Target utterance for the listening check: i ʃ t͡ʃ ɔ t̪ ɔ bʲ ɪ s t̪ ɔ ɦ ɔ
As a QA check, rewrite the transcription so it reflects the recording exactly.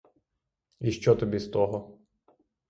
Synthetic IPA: i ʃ t͡ʃ ɔ t̪ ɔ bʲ i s t̪ ɔ ɦ ɔ

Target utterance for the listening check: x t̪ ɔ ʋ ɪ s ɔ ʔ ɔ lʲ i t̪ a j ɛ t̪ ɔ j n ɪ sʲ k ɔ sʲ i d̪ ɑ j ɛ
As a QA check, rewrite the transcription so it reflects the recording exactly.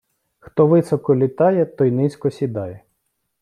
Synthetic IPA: x t̪ ɔ ʋ ɪ s ɔ k ɔ lʲ i t̪ ɑ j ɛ t̪ ɔ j n ɪ sʲ k ɔ sʲ i d̪ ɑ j ɛ

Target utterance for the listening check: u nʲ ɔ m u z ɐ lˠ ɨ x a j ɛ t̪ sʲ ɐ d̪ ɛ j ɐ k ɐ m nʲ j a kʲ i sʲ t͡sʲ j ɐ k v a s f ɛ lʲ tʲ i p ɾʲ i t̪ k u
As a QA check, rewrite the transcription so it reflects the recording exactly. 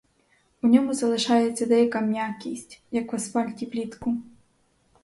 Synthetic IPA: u nʲ ɔ m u z ɐ lˠ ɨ ʂ a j ɛ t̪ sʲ ɐ d̪ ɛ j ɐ k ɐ m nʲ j a kʲ i sʲ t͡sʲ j ɐ k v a s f a lʲ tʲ i p lʲ i t̪ k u

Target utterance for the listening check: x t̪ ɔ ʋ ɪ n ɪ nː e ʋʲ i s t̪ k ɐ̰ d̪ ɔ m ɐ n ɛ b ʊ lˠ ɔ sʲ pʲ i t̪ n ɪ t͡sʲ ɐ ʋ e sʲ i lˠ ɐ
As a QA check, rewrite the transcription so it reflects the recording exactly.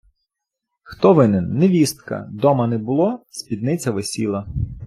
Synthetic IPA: x t̪ ɔ ʋ ɪ n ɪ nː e ʋʲ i s t̪ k ɐ̰ d̪ ɔ m ɐ n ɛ b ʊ lˠ ɔ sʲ pʲ i d̪ n ɪ t͡sʲ ɐ ʋ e sʲ i lˠ ɐ

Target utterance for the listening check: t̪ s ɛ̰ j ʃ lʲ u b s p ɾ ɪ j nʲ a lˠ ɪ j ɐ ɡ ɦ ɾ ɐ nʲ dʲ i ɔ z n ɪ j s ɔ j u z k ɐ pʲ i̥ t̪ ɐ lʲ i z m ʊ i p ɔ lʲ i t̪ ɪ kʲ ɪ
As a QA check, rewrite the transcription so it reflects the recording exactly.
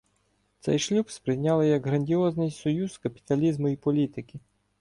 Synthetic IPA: t̪ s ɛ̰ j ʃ lʲ u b s p ɾ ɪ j nʲ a lˠ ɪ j ɐ ɡ ɦ ɾ ɐ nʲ dʲ i ɔ z n ɪ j s ɔ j u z k ɐ pʲ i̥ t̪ ɐ lʲ i z m ʊ i p ɔ lʲ i t̪ ɪ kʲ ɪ

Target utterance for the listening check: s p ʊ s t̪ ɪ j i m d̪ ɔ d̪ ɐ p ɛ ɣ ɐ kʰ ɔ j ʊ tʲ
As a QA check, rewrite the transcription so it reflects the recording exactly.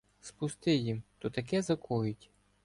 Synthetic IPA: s p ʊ s t̪ ɪ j i m t̪ ɔ t̪ ɐ k ɛ z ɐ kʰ ɔ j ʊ tʲ

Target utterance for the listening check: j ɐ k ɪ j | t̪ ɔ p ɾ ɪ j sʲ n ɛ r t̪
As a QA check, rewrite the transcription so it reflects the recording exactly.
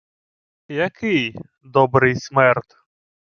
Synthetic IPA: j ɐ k ɪ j | d̪ ɔ b ɾ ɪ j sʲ m ɛ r t̪

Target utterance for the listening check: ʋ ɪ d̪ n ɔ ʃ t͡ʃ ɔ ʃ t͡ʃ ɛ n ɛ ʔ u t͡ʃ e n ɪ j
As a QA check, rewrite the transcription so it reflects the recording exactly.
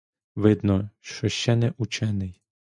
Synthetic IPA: ʋ ɪ d̪ n ɔ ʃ t͡ʃ ɔ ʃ t͡ʃ ɛ n ɛ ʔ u t͡ʃ ɛ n ɪ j

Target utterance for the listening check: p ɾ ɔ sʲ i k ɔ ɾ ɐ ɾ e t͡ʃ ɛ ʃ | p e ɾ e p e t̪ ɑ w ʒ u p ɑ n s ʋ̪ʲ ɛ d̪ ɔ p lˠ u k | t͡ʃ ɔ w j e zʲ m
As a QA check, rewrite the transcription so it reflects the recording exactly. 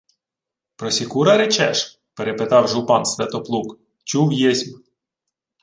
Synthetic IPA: p ɾ ɔ sʲ i k u ɾ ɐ ɾ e t͡ʃ ɛ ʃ | p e ɾ e p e t̪ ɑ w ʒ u p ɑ n s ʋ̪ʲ ɛ t̪ ɔ p lˠ u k | t͡ʃ u w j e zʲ m

